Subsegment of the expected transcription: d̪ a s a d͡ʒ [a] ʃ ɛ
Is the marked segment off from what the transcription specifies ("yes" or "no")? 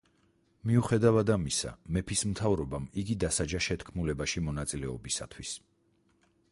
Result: no